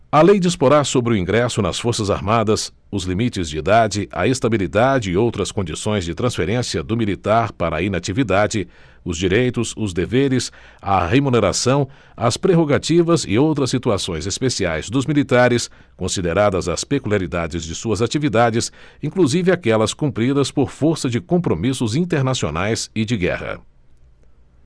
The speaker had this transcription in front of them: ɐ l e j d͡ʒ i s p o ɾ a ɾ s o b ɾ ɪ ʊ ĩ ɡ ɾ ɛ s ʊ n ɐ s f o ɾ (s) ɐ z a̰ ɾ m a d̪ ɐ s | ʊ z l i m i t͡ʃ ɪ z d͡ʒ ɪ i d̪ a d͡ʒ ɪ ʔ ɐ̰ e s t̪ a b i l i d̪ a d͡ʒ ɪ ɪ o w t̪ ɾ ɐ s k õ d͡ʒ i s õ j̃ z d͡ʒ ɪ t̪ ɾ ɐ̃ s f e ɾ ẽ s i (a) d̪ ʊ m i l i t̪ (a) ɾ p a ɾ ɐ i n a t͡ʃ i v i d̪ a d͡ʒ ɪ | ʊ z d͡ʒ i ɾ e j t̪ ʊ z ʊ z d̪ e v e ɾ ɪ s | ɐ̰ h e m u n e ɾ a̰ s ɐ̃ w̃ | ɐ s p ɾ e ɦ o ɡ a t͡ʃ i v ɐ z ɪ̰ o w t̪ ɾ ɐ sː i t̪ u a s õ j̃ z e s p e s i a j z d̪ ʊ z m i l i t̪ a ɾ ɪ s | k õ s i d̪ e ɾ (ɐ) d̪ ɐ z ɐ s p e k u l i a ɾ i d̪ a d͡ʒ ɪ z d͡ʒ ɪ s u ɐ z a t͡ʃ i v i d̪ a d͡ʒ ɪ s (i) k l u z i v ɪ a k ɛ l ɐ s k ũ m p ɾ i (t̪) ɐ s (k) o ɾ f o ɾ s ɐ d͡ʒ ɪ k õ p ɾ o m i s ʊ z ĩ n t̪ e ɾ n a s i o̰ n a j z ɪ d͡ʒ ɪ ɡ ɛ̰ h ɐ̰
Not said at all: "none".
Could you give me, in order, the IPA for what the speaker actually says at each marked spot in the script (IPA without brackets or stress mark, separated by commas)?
s, ɐ, a, a, ĩ, d̪, p